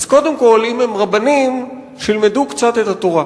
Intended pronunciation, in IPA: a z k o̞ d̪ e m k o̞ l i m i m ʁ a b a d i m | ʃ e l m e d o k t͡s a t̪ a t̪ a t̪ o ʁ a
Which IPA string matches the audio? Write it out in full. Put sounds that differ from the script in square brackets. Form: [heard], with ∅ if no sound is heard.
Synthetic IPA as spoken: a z k o̞ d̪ e m k o̞ l i m [e] m ʁ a b a [n] i m | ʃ [i] l m e d [u] k t͡s a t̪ [e] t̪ a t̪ o ʁ a